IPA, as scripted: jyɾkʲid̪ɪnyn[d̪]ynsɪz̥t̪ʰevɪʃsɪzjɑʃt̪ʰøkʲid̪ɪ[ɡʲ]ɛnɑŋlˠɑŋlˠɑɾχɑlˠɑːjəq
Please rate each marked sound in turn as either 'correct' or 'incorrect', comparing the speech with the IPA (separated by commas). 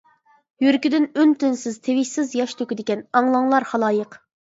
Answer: incorrect, incorrect